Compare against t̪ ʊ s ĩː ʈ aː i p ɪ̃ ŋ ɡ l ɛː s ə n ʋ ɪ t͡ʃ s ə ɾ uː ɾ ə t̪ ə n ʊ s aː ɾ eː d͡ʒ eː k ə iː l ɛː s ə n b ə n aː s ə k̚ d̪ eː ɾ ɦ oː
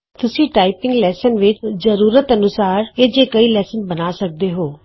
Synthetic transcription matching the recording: t̪ ʊ s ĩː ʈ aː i p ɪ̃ ŋ ɡ l ɛː s ə n ʋ ɪ t͡ʃ z ə ɾ uː ɾ ə t̪ ə n ʊ s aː ɾ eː d͡ʒ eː k ə iː l ɛː s ə n b ə n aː s ə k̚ d̪ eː ɦ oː